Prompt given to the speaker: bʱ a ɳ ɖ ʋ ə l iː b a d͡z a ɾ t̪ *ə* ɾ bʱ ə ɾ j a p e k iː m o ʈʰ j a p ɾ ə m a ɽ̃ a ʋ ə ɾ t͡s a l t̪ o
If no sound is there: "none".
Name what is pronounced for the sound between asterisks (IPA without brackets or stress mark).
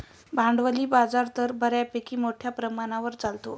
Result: ə